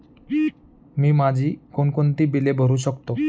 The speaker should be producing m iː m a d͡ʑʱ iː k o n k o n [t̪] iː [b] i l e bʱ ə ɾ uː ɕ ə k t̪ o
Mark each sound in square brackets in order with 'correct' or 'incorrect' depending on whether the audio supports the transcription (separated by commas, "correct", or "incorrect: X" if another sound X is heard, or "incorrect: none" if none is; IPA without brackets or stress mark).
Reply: correct, correct